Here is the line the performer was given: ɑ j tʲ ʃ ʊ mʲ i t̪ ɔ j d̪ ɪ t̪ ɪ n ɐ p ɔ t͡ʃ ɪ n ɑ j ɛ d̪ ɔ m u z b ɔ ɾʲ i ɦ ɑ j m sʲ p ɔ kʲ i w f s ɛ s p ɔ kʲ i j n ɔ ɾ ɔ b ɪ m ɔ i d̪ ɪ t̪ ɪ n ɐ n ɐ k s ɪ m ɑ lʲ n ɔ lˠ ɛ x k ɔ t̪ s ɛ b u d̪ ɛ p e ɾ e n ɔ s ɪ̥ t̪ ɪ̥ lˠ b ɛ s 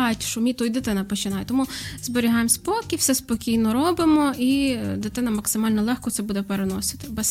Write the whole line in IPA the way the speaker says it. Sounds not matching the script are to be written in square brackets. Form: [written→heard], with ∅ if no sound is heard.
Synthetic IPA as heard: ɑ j tʲ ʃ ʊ mʲ i t̪ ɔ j d̪ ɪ t̪ ɪ n ɐ p ɔ t͡ʃ ɪ n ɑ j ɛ [d̪→t̪] ɔ m u z b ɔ ɾʲ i ɦ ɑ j m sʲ p ɔ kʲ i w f s ɛ s p ɔ kʲ i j n ɔ ɾ ɔ b ɪ m ɔ i d̪ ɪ t̪ ɪ n ɐ [n→m] ɐ k s ɪ m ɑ lʲ n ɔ lˠ ɛ x k ɔ t̪ s ɛ b u d̪ ɛ p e ɾ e n ɔ s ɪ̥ t̪ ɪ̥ [lˠ→∅] b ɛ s